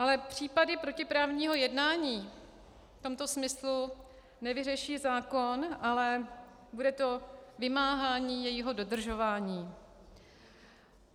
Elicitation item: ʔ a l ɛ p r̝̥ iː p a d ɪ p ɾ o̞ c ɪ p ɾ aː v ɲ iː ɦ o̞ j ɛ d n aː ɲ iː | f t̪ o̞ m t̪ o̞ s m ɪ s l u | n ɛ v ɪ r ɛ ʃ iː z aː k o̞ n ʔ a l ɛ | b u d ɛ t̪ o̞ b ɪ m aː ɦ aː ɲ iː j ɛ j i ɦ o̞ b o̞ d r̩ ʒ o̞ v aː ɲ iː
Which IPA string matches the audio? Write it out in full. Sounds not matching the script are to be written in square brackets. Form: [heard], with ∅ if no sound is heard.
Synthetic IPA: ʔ a l ɛ p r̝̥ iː p a d ɪ p ɾ o̞ c ɪ p ɾ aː v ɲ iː ɦ o̞ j ɛ d n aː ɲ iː | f t̪ o̞ m t̪ o̞ s m ɪ s l u | n ɛ v ɪ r ɛ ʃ iː z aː k o̞ n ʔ a l ɛ | b u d ɛ t̪ o̞ [v] ɪ m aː ɦ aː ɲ iː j ɛ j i ɦ o̞ [d] o̞ d r̩ ʒ o̞ v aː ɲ iː